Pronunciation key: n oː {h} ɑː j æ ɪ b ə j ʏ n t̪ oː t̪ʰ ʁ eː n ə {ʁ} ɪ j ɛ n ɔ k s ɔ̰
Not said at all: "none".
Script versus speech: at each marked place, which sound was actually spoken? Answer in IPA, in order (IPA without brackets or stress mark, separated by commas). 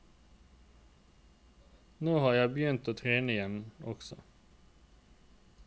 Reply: h, none